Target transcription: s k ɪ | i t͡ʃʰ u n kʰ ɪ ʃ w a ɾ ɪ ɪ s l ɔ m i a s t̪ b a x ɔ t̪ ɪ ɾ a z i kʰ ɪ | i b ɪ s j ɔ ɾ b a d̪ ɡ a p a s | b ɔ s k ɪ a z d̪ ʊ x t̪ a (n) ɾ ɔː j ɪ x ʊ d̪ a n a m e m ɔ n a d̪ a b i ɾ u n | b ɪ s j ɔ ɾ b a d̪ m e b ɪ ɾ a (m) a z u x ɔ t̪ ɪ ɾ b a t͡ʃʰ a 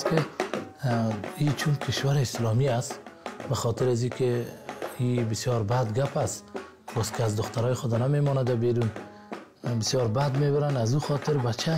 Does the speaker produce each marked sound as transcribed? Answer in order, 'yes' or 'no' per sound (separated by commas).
no, no